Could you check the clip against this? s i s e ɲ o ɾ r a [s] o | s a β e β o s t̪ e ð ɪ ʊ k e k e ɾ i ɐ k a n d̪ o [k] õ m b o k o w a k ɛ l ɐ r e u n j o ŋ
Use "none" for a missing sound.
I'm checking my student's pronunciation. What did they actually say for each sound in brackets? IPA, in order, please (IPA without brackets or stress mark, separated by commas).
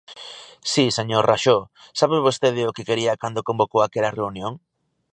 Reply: ʃ, k